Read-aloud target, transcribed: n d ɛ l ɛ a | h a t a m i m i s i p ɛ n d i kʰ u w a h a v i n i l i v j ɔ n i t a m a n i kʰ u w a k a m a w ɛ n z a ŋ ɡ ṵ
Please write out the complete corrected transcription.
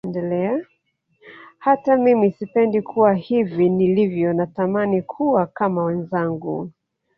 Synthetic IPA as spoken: n d ɛ l ɛ a | h a t a m i m i s i p ɛ n d i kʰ u w a h i v i n i l i v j ɔ n a t a m a n i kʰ u w a k a m a w ɛ n z a ŋ ɡ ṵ